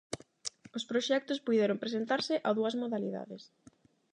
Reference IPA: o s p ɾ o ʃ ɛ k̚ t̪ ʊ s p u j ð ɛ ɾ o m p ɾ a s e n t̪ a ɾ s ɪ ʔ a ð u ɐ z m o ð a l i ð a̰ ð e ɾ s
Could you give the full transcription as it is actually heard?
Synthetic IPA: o s p ɾ o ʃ ɛ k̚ t̪ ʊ s p u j ð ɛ ɾ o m p ɾ e s e n t̪ a ɾ s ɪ ʔ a ð u ɐ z m o ð a l i ð a̰ ð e s